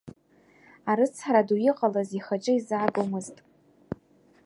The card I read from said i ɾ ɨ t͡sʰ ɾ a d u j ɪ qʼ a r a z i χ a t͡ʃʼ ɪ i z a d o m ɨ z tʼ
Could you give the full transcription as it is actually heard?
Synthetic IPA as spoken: a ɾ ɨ t͡sʰ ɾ a d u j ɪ qʼ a l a z i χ a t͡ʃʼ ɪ i z a ɡ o m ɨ z tʼ